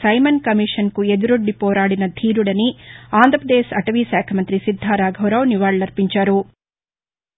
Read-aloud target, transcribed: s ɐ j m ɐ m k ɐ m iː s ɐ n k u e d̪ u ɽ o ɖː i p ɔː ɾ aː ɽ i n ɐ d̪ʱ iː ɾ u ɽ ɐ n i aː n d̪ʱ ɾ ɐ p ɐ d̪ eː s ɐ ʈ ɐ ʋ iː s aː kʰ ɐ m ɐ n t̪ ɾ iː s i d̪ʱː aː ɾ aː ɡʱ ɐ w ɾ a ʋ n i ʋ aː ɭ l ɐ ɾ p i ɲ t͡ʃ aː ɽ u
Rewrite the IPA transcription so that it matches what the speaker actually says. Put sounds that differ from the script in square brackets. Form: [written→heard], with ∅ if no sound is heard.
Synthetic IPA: s ɐ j m ɐ [m→n] k ɐ m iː [s→ʂ] ɐ n k u e d̪ u [ɽ→ɾ] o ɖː i p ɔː ɾ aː ɽ i n ɐ d̪ʱ iː ɾ u ɽ ɐ n i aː n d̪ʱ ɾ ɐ p ɐ d̪ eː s ɐ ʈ ɐ ʋ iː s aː kʰ ɐ m ɐ n t̪ ɾ [iː→i] s i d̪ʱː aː ɾ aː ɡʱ ɐ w ɾ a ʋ n i ʋ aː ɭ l ɐ ɾ p i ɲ t͡ʃ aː [ɽ→ɾ] u